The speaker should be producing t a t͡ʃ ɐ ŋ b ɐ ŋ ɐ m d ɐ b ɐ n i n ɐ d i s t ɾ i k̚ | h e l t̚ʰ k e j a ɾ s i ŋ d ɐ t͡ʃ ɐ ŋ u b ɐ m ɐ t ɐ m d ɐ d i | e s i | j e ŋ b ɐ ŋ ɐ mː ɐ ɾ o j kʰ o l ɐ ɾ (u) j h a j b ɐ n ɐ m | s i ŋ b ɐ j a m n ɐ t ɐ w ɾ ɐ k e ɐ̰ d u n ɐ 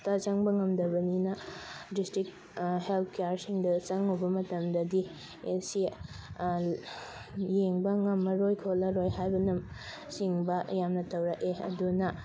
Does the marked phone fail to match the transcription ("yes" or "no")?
yes